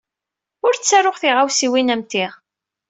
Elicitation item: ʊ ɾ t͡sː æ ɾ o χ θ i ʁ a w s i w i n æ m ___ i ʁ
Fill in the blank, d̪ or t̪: t̪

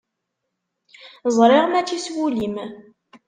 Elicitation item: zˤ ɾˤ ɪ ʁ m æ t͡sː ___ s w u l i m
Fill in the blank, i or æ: i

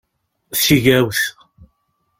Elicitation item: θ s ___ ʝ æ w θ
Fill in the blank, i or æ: i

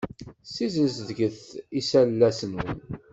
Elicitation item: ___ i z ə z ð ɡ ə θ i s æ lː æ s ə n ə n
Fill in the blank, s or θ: s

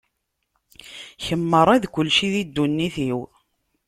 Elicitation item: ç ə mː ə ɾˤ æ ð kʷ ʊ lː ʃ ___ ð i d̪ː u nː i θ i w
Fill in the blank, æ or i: i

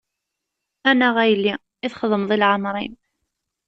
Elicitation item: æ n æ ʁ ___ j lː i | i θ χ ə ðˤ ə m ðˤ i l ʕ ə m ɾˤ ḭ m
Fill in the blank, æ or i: æ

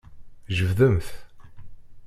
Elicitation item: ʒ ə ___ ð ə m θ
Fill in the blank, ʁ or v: v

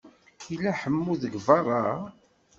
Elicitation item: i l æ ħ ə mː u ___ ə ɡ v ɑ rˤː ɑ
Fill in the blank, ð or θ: ð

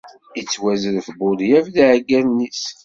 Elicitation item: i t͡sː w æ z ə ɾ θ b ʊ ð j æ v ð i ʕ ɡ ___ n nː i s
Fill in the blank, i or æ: æ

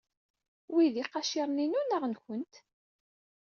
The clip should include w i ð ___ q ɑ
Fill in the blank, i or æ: i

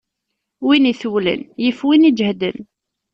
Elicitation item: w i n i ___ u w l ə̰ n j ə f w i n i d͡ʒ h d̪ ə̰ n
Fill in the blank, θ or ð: θ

